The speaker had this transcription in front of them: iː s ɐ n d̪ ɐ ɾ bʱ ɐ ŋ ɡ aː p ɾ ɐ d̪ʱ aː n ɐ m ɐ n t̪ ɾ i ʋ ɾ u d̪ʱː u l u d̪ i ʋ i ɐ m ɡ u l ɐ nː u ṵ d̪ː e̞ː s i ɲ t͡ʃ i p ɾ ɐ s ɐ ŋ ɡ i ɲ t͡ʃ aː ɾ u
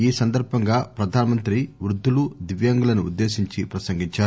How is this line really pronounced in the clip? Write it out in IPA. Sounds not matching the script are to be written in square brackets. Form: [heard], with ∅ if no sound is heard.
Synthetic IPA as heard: iː s ɐ n d̪ ɐ ɾ bʱ ɐ ŋ ɡ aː p ɾ ɐ d̪ʱ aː n ɐ m ɐ n t̪ ɾ i ʋ ɾ u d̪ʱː u l u d̪ i ʋ [j] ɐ [ŋ] ɡ u l ɐ [n] u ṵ d̪ː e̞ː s i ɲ t͡ʃ i p ɾ ɐ s ɐ ŋ ɡ i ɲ t͡ʃ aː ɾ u

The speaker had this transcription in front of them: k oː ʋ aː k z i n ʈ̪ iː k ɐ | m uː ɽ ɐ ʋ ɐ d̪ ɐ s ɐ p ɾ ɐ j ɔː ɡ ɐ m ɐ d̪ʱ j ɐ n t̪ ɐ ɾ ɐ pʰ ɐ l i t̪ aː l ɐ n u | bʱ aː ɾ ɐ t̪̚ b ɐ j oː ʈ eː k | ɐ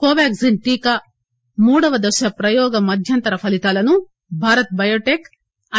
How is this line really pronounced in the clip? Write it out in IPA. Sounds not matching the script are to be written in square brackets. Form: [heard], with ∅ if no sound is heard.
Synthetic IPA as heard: k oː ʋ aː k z i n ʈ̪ iː k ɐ | m uː ɽ ɐ ʋ ɐ d̪ ɐ [ʃ] ɐ p ɾ ɐ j ɔː ɡ ɐ m ɐ d̪ʱ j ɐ n t̪ ɐ ɾ ɐ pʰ ɐ l i t̪ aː l ɐ n u | bʱ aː ɾ ɐ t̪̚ b ɐ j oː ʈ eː k | ɐ

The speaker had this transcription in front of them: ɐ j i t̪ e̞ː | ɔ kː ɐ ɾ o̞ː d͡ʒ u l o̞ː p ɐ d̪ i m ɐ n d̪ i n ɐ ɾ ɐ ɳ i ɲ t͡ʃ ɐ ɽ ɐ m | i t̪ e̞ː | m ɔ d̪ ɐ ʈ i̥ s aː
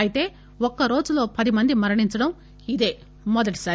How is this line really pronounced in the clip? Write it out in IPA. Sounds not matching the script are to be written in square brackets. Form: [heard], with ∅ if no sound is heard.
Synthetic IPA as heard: ɐ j i t̪ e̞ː | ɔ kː ɐ ɾ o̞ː d͡ʒ u l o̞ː p ɐ d̪ i m ɐ n d̪ i [m] ɐ ɾ ɐ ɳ i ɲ t͡ʃ ɐ ɽ ɐ m | i [d̪] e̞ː | m ɔ d̪ ɐ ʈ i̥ s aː

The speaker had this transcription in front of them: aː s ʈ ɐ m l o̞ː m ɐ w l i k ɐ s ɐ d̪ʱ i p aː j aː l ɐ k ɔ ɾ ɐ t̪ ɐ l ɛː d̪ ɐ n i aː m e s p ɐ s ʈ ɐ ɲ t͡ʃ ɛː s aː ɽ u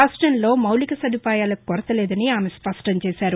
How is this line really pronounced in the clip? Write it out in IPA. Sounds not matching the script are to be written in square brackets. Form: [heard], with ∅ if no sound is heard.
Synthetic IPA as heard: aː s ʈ ɐ [n] l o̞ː m ɐ w l i k ɐ s ɐ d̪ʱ i p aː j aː l ɐ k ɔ ɾ ɐ t̪ ɐ l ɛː d̪ ɐ n i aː m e s p ɐ s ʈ ɐ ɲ t͡ʃ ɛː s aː [ɾ] u

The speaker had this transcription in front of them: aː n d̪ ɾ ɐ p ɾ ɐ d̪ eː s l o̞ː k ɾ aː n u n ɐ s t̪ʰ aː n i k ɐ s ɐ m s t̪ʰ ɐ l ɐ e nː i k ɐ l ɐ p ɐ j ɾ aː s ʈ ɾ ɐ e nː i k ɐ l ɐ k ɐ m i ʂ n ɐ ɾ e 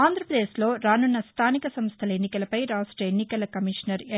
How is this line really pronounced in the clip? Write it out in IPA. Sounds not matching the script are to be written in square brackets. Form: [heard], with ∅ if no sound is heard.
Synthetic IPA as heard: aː n d̪ ɾ ɐ p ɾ ɐ d̪ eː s l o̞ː [∅] ɾ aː n u [nː] ɐ s t̪ʰ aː n i k ɐ s ɐ m s t̪ʰ ɐ l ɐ e nː i k ɐ l ɐ p ɐ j ɾ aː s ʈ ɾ ɐ e nː i k ɐ l ɐ k ɐ m i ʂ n ɐ ɾ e

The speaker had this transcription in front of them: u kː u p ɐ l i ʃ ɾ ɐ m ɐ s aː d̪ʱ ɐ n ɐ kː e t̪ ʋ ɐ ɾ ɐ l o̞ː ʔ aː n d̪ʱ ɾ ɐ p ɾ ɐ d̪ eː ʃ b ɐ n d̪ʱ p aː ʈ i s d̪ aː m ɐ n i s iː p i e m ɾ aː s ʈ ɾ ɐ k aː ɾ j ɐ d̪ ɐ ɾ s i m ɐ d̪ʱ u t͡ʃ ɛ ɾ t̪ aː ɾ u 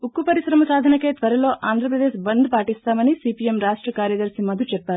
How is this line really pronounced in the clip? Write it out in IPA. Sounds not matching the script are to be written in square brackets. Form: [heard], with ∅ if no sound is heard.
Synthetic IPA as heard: u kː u p ɐ [ɾ] i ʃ ɾ ɐ m ɐ s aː d̪ʱ ɐ n ɐ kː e t̪ ʋ ɐ ɾ ɐ l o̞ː ʔ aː n d̪ʱ ɾ ɐ p ɾ ɐ d̪ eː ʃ b ɐ n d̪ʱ p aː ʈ i s [t̪] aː m ɐ n i s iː p i e m ɾ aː [ʂ] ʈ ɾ ɐ k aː ɾ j ɐ d̪ ɐ ɾ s i m ɐ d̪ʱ u t͡ʃ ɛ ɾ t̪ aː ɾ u

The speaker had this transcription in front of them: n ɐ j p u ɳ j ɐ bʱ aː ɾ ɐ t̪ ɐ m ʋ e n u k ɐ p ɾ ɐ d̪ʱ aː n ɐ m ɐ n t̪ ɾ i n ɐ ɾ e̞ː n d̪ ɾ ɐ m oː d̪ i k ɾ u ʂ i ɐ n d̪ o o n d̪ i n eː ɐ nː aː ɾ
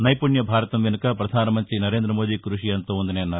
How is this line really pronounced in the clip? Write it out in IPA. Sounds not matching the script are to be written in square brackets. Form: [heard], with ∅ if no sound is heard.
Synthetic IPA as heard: n ɐ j p u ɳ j ɐ bʱ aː ɾ ɐ t̪ ɐ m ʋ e n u k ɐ p ɾ ɐ d̪ʱ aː n ɐ m ɐ n t̪ ɾ i n ɐ ɾ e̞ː n d̪ ɾ ɐ m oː d̪ i k ɾ u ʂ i ɐ n [t̪] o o n d̪ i n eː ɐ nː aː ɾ

